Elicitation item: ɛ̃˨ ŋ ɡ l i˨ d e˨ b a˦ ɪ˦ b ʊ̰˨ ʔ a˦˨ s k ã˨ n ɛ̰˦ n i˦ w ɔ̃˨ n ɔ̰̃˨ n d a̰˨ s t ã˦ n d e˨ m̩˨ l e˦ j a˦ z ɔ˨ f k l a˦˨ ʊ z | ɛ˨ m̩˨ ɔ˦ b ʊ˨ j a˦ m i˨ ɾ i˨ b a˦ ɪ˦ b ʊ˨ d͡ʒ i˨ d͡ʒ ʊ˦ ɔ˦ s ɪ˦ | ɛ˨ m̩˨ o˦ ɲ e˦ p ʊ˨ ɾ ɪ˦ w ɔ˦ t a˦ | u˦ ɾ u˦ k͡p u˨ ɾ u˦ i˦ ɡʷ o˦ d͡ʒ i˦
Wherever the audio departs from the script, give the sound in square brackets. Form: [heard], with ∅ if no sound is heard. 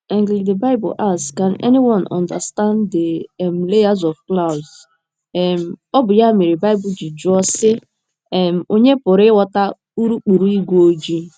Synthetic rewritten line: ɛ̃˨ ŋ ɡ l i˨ d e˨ b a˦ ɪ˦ b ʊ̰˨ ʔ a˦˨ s k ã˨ n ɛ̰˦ n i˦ w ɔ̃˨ n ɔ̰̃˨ n d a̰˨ s t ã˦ n d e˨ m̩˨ l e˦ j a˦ z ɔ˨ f k l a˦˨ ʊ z | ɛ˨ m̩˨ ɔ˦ b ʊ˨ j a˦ m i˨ ɾ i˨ b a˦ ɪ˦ b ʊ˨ d͡ʒ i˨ d͡ʒ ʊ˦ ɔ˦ s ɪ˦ | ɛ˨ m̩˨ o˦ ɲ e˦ p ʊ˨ ɾ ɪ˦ w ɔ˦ t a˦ | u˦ ɾ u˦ k͡p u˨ ɾ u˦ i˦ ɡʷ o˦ d͡ʒ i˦